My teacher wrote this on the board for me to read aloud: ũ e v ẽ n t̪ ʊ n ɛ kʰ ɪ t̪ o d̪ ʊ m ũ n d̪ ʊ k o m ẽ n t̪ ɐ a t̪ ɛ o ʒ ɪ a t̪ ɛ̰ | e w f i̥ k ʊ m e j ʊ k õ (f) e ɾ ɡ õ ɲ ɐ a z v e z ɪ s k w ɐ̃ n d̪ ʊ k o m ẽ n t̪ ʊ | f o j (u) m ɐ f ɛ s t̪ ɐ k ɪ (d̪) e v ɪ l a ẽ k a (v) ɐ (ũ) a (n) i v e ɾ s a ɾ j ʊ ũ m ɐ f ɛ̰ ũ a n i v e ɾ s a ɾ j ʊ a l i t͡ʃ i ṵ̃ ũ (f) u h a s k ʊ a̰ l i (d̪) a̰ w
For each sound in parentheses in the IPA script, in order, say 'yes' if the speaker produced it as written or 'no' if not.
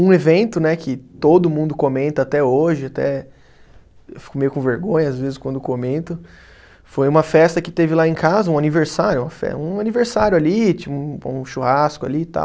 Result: no, no, no, no, yes, yes, no, no

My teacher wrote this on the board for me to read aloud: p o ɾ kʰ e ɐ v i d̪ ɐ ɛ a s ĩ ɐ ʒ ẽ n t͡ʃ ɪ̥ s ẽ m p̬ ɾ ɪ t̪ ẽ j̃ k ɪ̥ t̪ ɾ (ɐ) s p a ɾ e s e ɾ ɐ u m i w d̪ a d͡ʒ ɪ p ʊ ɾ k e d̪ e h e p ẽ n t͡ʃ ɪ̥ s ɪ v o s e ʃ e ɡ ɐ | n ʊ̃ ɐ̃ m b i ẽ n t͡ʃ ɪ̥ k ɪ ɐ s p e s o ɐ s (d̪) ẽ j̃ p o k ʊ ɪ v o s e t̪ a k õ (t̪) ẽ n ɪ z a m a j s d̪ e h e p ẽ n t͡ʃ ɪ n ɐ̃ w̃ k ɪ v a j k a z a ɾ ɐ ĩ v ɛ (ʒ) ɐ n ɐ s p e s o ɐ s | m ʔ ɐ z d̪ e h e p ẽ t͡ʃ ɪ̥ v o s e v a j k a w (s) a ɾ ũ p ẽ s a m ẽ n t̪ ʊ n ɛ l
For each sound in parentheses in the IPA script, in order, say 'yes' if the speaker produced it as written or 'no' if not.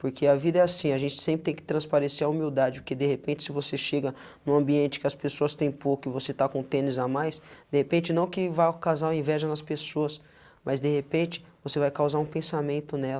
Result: no, no, yes, yes, no

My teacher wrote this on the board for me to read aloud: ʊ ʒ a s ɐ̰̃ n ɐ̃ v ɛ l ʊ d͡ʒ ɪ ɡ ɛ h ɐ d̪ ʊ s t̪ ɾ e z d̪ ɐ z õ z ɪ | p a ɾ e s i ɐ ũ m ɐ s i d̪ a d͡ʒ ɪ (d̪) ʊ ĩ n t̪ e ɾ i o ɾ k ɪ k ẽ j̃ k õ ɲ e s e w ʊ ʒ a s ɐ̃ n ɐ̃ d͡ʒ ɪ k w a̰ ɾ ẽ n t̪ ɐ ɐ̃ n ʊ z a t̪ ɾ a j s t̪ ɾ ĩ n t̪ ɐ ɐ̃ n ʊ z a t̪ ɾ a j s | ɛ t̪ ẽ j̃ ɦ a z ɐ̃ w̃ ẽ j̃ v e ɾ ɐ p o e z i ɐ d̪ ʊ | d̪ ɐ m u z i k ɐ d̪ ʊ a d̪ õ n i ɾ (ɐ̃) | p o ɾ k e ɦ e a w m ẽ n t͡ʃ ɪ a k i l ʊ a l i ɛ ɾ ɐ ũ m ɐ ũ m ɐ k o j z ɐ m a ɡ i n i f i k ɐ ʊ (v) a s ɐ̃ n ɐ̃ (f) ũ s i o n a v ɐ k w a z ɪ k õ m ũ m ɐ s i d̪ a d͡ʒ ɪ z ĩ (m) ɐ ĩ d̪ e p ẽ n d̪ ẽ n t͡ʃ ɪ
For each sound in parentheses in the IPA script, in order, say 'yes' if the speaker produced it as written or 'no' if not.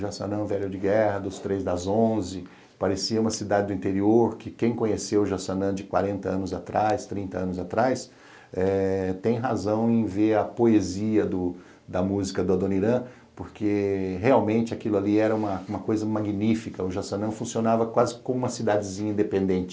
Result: yes, yes, no, yes, no

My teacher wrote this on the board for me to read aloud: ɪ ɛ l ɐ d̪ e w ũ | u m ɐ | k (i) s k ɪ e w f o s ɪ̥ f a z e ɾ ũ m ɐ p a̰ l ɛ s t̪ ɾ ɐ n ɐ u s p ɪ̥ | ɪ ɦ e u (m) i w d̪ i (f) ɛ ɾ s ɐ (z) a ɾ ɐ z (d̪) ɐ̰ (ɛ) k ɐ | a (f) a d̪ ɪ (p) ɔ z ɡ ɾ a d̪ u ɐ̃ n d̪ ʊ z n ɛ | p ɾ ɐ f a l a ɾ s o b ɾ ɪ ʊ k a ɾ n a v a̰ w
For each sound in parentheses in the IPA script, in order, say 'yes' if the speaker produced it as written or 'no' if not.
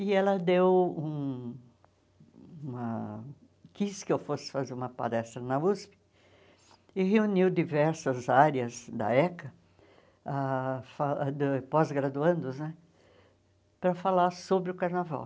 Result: yes, no, no, yes, yes, yes, yes, yes

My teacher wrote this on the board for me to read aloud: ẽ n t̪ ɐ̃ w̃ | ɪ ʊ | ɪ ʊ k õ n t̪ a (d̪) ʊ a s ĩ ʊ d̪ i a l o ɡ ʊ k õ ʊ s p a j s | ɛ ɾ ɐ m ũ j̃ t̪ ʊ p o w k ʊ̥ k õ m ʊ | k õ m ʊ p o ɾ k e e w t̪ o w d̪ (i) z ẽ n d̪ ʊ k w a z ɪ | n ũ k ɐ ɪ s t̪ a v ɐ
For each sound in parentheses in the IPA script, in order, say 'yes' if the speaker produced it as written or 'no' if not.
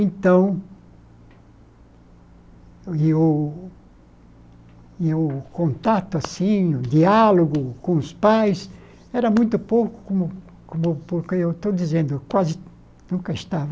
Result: no, yes

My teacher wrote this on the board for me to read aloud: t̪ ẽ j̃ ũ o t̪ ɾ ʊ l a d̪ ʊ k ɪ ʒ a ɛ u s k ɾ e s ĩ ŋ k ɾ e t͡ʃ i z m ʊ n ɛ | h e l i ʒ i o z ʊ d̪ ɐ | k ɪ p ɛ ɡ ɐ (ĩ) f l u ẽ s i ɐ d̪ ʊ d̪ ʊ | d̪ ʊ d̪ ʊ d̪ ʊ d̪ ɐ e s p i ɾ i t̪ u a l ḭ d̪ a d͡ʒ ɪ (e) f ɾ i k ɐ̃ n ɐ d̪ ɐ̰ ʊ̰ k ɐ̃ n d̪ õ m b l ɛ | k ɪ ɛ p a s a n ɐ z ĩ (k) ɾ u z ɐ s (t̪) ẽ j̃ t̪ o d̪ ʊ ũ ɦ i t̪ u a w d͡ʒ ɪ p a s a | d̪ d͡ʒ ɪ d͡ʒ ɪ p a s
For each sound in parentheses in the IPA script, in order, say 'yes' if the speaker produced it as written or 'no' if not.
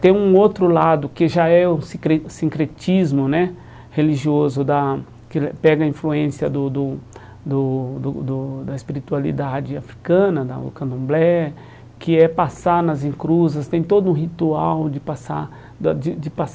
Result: yes, no, yes, yes

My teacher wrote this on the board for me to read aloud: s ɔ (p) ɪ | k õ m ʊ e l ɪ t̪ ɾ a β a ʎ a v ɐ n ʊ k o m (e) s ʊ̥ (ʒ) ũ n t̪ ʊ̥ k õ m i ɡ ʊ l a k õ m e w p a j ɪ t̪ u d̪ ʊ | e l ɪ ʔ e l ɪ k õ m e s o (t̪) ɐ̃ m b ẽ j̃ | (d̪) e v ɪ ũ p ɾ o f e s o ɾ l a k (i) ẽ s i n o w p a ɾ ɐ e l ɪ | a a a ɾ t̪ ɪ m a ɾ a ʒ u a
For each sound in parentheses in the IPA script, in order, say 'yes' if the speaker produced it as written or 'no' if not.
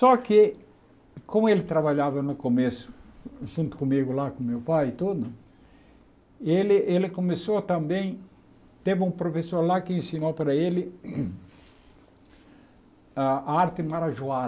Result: no, yes, yes, yes, no, no

